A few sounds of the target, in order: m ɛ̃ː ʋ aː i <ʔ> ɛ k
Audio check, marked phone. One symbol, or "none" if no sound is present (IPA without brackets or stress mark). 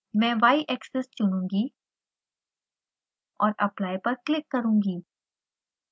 ʔ